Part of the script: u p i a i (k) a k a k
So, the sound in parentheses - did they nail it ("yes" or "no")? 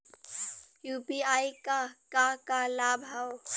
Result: yes